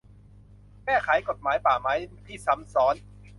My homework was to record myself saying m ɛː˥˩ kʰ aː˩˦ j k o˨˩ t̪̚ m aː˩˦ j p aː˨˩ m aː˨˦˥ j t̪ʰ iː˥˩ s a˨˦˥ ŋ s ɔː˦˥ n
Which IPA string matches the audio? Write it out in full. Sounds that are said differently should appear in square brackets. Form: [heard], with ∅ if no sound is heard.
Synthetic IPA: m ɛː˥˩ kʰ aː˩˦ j k o˨˩ t̪̚ m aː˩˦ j p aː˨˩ m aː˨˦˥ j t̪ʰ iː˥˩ s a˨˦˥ [m] s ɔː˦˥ n